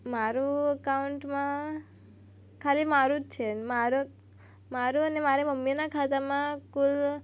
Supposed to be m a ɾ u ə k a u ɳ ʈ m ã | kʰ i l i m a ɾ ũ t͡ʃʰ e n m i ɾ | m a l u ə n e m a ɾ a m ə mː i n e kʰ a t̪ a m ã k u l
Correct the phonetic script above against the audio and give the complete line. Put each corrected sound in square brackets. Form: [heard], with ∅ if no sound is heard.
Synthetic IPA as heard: m a ɾ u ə k a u ɳ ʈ m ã | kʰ [a] l i m a ɾ [u] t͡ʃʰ e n m [a] ɾ | m a [ɾ] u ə n e m a ɾ [e] m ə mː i n [a] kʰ a t̪ a m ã k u l